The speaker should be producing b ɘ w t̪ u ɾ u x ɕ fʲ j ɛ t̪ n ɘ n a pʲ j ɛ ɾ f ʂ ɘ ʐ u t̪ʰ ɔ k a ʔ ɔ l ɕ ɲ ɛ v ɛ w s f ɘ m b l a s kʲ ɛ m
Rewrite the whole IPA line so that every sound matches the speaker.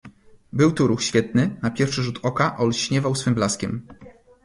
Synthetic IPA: b ɘ w t̪ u ɾ u x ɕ fʲ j ɛ t̪ n ɘ n a pʲ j ɛ ɾ f ʂ ɘ ʐ u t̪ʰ ɔ k a ʔ ɔ l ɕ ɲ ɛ v a w s f ɘ m b l a s kʲ ɛ m

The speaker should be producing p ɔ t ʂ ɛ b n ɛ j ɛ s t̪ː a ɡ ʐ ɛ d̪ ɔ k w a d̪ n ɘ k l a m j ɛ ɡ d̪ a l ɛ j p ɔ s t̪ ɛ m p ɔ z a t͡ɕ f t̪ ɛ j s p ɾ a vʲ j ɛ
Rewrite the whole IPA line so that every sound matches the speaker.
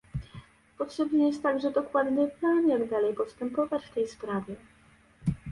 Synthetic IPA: p ɔ t ʂ ɛ b n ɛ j ɛ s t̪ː a ɡ ʐ ɛ d̪ ɔ k w a d̪ n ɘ p l a n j a ɡ d̪ a l ɛ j p ɔ s t̪ ɛ m p ɔ v a t͡ɕ f t̪ ɛ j s p ɾ a vʲ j ɛ

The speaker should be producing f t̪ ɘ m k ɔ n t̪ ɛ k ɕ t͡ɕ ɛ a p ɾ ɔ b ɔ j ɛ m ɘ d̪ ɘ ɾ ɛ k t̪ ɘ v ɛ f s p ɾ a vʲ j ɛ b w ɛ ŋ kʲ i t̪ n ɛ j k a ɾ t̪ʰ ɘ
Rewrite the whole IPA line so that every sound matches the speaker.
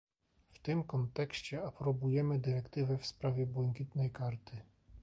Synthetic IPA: f t̪ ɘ m k ɔ n t̪ ɛ k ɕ t͡ɕ ɛ a p ɾ ɔ b u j ɛ m ɘ d̪ ɘ ɾ ɛ k t̪ ɘ v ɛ f s p ɾ a vʲ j ɛ b w ɛ ŋ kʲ i t̪ n ɛ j k a ɾ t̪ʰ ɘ

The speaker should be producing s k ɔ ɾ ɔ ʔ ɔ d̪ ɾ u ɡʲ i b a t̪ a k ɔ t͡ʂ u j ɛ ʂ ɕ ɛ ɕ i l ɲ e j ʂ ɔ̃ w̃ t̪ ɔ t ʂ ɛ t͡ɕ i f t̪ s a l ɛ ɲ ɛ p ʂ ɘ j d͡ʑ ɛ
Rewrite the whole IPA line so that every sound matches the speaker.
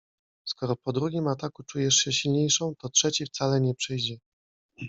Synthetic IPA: s k ɔ ɾ ɔ p ɔ d̪ ɾ u ɡʲ i m a t̪ a k u t͡ʂ u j ɛ ʂ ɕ ɛ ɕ i l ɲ e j ʂ ɔ̃ w̃ t̪ ɔ t ʂ ɛ t͡ɕ i f t̪ s a l ɛ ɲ ɛ p ʂ ɘ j d͡ʑ ɛ

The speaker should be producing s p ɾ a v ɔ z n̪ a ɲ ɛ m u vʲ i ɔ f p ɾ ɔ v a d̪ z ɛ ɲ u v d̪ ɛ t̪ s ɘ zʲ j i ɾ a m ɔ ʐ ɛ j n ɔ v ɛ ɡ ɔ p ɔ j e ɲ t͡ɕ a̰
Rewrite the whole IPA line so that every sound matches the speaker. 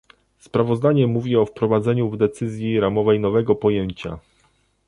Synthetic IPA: s p ɾ a v ɔ z d̪ a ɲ ɛ m u vʲ i ɔ f p ɾ ɔ v a d̪ z ɛ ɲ u v d̪ ɛ t̪ s ɘ zʲ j i ɾ a m ɔ v ɛ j n ɔ v ɛ ɡ ɔ p ɔ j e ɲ t͡ɕ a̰

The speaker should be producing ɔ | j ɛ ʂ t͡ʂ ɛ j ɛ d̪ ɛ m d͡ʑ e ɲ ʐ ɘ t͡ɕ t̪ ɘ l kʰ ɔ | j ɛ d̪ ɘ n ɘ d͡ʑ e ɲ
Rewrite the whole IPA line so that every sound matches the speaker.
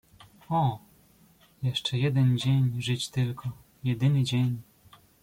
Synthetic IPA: ɔ | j ɛ ʂ t͡ʂ ɛ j ɛ d̪ ɛ n d͡ʑ e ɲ ʐ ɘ t͡ɕ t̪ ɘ l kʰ ɔ | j ɛ d̪ ɘ n ɘ d͡ʑ e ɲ

